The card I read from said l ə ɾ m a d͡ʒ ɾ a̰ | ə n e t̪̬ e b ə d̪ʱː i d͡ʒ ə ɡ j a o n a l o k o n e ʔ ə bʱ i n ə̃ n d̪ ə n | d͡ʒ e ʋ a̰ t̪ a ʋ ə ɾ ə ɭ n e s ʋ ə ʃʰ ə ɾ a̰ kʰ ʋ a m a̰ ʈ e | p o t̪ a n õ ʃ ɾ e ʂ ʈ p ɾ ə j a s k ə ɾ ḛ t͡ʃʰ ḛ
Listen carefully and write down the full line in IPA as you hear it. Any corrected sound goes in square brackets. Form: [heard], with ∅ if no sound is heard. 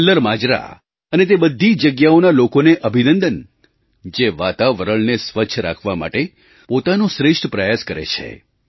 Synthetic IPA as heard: l ə ɾ m a d͡ʒ ɾ a̰ | ə n e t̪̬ e b ə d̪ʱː i d͡ʒ ə ɡ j a o n a l o k o n e ʔ ə bʱ i n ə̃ n d̪ ə n | d͡ʒ e ʋ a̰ t̪ a ʋ ə ɾ ə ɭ n e s ʋ ə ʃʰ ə ɾ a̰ kʰ ʋ a m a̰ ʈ e | p o t̪ a n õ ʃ ɾ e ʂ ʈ p ɾ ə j a s k ə ɾ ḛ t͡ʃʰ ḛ

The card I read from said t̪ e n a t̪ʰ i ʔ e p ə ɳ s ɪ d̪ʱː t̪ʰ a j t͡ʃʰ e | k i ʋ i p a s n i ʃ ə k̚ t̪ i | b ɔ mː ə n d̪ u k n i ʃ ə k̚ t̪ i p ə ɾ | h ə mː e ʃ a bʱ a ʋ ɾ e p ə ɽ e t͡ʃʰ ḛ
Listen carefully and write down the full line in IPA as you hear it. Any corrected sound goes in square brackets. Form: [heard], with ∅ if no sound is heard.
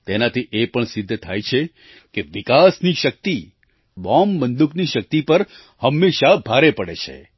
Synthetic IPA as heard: t̪ e n a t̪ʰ i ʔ e p ə ɳ s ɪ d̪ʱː t̪ʰ a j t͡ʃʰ e | k [e] ʋ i [k] a s n i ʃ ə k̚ t̪ i | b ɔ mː ə n d̪ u k n i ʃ ə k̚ t̪ i p ə ɾ | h ə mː e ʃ a bʱ a [∅] ɾ e p ə ɽ e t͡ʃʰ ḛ

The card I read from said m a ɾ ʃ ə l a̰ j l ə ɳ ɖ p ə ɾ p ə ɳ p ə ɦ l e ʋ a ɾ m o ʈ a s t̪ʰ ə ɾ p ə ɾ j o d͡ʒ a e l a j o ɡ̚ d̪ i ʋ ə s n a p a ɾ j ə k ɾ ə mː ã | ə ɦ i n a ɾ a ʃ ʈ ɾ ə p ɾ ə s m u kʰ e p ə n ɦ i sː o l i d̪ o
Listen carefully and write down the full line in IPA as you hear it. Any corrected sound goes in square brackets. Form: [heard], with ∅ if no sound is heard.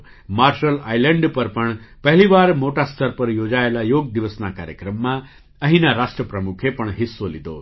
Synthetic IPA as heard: m a ɾ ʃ ə l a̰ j l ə ɳ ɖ p ə ɾ p ə ɳ p ə ɦ l [i] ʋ a ɾ m o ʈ a s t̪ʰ ə ɾ p ə ɾ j o d͡ʒ a e l a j o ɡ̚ d̪ i ʋ ə s n a [k] a ɾ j ə k ɾ ə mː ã | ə ɦ i n a ɾ a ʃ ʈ ɾ ə p ɾ ə [∅] m u kʰ e p ə [ɳ] ɦ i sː o l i d̪ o

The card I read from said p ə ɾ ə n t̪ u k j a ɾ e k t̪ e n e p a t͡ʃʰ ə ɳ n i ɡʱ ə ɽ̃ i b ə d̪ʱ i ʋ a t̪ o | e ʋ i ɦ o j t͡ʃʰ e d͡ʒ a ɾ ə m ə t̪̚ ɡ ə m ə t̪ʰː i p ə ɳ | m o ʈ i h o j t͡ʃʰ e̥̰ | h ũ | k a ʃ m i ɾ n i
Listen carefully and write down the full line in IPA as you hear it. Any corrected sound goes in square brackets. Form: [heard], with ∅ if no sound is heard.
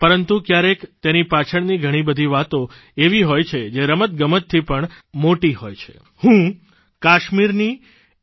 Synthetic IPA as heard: p ə ɾ ə n t̪ u k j a ɾ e k t̪ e n [i] p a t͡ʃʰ ə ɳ n i ɡʱ ə ɽ̃ i b ə d̪ʱ i ʋ a t̪ o | e ʋ i ɦ o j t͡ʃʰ e d͡ʒ [e] ɾ ə m ə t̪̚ ɡ ə m ə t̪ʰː i p ə ɳ | m o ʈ i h o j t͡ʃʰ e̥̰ | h ũ | k a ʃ m i ɾ n i

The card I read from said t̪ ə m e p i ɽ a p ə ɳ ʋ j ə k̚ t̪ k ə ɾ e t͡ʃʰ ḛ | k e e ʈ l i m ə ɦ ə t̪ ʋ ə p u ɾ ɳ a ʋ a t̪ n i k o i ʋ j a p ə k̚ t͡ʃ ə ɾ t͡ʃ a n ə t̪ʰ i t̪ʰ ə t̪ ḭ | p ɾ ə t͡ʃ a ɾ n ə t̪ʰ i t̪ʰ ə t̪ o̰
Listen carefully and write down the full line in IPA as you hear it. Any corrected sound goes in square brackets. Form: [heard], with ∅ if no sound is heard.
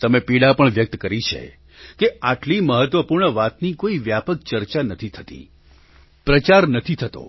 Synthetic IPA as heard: t̪ ə m e p i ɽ a p ə ɳ ʋ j ə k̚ t̪ k ə ɾ [i] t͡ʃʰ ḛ | k e [a] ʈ l i m ə ɦ ə t̪ ʋ ə p u ɾ ɳ [ə] ʋ a t̪ n i k o i ʋ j a p ə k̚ t͡ʃ ə ɾ t͡ʃ a n ə t̪ʰ i t̪ʰ ə t̪ ḭ | p ɾ ə t͡ʃ a ɾ n ə t̪ʰ i t̪ʰ ə t̪ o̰

